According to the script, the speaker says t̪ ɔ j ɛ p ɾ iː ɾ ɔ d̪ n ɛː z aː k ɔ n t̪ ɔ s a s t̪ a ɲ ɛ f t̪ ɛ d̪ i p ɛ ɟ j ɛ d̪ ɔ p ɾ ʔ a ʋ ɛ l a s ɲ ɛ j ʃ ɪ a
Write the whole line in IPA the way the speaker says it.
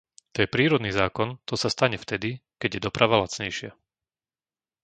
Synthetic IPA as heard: t̪ ɔ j ɛ p ɾ iː ɾ ɔ d̪ n iː z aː k ɔ n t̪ ɔ s a s t̪ a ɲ ɛ f t̪ ɛ d̪ i k ɛ ɟ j ɛ d̪ ɔ p ɾ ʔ a ʋ a l a t͡s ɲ ɛ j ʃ ɪ a